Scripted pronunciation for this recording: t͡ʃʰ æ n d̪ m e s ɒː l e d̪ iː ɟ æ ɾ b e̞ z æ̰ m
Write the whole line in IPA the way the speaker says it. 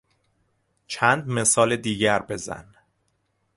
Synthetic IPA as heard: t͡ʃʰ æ n d̪ m e s ɒː l e d̪ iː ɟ æ ɾ b e̞ z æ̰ n